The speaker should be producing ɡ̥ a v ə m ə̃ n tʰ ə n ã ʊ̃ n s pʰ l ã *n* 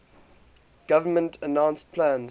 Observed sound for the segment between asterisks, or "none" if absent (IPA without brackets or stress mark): n